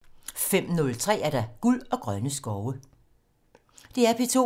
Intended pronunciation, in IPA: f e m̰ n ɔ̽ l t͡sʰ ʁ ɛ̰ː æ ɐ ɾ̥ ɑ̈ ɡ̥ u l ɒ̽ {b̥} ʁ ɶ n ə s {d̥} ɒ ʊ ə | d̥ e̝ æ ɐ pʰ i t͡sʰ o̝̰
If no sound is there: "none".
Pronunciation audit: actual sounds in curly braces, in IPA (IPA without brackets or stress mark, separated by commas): ɡ̥, ɡ̥